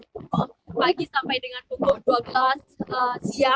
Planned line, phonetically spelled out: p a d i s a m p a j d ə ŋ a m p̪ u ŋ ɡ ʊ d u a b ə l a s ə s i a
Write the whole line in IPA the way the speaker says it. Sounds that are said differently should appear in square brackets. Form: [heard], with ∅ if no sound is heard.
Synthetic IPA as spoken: p a [ɡ] i s a m p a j d ə ŋ a [n] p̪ u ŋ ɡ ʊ d u a b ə l a s ə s i a